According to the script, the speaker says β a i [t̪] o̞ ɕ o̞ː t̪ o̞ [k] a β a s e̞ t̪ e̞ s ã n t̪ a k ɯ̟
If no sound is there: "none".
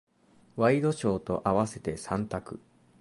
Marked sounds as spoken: d̪, ʔ

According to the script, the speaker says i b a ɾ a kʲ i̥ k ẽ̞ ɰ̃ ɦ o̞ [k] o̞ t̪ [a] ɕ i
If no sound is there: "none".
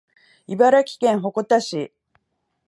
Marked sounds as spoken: k, a

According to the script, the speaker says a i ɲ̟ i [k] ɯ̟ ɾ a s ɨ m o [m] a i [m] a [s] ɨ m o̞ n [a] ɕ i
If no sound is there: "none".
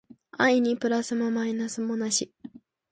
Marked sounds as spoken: p, m, n, s, a

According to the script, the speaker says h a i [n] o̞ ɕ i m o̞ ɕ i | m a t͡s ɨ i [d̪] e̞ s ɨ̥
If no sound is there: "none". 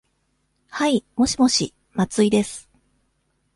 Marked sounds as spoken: m, d̪

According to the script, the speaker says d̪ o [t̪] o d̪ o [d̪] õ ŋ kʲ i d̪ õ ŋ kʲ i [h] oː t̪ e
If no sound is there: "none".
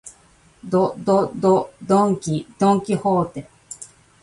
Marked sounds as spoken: d̪, d̪, h

